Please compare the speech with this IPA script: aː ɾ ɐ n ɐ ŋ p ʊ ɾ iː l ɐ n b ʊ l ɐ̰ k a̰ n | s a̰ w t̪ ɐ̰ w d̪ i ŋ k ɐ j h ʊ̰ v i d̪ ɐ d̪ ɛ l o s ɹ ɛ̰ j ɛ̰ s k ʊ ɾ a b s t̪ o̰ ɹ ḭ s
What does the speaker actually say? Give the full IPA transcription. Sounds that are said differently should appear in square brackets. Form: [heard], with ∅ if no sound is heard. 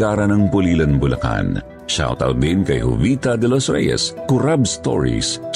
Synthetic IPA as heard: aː ɾ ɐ n ɐ ŋ p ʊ [l] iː l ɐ n b ʊ l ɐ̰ k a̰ n | [ʃ] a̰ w t̪ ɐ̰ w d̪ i [n] k ɐ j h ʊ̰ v i [t̪] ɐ d̪ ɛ l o s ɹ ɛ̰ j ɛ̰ s k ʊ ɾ a b s t̪ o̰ ɹ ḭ s